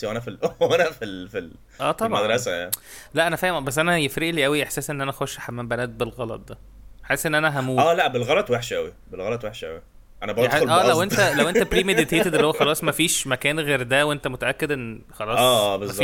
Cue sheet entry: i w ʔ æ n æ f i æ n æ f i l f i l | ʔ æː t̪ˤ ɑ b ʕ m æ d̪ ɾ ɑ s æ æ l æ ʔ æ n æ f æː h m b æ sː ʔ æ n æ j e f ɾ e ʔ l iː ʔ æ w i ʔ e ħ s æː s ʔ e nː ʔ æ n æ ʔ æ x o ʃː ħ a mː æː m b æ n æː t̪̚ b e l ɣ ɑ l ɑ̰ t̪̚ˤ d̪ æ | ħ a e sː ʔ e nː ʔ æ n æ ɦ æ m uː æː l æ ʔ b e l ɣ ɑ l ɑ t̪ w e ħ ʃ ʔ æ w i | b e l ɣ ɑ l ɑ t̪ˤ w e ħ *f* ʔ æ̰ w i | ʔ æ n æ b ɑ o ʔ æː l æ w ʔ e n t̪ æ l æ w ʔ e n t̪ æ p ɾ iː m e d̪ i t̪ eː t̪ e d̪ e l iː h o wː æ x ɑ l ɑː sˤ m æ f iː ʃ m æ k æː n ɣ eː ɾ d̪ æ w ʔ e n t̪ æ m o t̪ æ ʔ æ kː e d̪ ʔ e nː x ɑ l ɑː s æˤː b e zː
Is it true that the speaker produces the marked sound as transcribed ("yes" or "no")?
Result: no